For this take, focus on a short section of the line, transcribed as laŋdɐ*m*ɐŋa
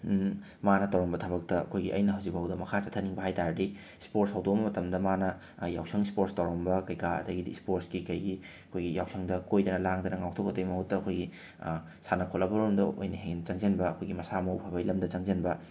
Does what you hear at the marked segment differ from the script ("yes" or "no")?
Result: yes